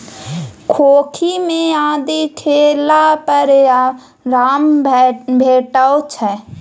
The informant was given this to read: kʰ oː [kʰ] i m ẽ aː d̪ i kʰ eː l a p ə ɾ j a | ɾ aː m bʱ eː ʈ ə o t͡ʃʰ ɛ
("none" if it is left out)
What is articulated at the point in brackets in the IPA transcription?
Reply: kʰ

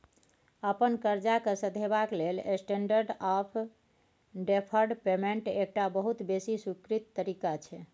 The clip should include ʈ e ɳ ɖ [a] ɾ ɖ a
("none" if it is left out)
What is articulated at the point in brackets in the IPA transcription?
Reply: ə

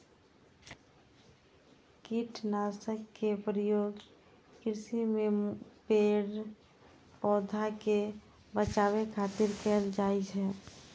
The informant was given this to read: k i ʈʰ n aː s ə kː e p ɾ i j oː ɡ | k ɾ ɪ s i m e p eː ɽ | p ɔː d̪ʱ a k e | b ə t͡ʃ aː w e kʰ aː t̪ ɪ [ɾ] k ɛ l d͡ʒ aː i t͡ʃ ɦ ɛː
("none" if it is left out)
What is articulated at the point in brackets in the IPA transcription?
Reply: ɾ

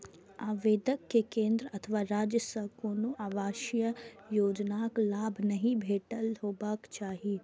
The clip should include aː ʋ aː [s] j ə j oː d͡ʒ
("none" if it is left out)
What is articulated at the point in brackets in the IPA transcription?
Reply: ʃ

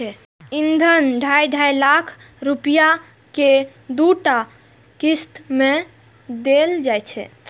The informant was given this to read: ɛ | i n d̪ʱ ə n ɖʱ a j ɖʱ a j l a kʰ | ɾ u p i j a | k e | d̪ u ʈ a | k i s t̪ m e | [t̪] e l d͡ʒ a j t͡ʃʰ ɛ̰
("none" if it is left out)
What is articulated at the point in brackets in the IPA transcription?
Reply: d̪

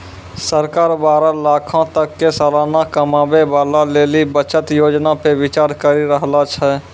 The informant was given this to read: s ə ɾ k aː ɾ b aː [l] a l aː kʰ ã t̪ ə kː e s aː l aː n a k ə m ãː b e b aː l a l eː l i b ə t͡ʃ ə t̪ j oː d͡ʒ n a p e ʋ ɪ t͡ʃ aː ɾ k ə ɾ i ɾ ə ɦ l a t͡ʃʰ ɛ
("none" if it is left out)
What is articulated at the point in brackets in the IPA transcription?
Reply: ɾ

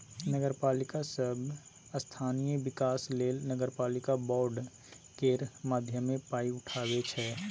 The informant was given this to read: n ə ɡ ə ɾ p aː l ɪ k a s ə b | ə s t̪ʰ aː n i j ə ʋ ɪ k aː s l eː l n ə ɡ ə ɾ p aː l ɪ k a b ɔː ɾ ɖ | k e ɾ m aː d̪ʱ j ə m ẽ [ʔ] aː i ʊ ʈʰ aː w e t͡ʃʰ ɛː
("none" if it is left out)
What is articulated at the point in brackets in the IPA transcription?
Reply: p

